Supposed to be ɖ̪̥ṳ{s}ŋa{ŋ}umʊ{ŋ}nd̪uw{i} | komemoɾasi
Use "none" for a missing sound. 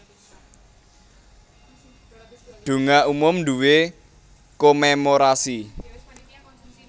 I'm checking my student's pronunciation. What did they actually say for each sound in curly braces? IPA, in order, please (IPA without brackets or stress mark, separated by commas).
none, none, m, e